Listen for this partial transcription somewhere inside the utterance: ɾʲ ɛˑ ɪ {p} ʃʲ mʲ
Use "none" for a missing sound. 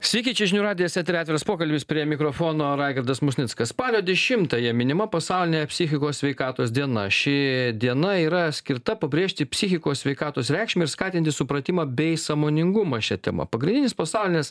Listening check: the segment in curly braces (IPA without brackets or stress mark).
k